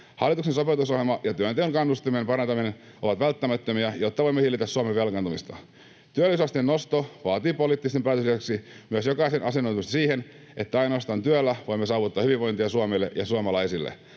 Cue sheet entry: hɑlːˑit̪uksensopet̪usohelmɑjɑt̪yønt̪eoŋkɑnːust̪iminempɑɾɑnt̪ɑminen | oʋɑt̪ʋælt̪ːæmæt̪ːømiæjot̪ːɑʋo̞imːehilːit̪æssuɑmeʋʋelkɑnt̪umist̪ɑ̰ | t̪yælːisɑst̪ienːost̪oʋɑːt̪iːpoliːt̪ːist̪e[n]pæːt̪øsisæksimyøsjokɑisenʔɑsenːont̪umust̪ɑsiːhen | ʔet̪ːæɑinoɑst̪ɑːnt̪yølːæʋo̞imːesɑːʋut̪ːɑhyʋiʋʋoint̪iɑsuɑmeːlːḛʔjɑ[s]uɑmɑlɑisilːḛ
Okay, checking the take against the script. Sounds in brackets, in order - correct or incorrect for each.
incorrect, correct

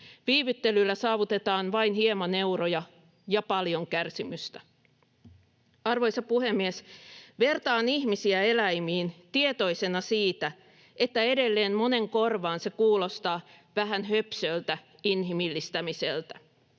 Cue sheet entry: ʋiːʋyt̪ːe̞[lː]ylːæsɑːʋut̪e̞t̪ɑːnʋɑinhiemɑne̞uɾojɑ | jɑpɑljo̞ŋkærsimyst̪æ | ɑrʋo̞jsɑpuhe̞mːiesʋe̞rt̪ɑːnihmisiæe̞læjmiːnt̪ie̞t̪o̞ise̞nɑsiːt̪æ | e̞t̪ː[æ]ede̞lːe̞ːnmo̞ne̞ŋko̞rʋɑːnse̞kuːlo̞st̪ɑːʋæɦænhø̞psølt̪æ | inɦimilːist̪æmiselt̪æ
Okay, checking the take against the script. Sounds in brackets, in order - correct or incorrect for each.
incorrect, correct

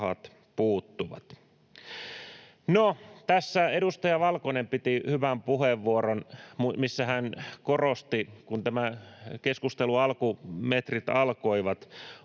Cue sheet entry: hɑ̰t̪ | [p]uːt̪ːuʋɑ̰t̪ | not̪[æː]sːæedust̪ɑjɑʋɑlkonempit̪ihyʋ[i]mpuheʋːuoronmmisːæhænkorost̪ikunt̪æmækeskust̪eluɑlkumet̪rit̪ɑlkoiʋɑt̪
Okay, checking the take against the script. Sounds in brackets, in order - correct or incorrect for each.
correct, incorrect, incorrect

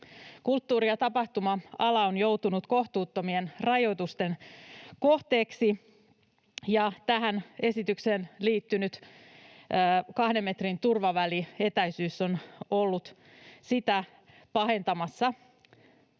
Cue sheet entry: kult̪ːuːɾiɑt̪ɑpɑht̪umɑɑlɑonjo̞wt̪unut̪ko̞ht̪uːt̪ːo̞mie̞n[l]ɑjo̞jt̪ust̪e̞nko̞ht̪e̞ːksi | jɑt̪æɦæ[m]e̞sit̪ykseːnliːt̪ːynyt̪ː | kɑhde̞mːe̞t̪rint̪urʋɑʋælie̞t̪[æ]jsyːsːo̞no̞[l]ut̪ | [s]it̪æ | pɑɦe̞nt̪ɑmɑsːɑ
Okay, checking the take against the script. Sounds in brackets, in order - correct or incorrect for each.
incorrect, incorrect, correct, incorrect, correct

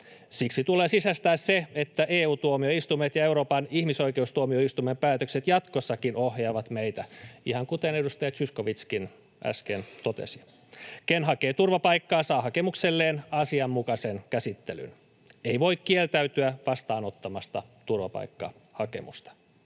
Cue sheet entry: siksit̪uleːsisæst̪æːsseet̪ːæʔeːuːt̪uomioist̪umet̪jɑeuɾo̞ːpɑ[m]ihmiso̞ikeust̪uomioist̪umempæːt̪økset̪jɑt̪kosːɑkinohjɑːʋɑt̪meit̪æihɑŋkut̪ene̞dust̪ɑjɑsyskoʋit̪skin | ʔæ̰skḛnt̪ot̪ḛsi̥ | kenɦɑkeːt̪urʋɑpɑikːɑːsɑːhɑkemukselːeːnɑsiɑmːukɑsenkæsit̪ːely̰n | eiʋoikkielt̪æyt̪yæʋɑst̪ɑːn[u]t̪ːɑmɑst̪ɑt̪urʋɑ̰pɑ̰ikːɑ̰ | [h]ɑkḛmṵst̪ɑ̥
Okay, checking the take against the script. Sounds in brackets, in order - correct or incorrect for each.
incorrect, incorrect, correct

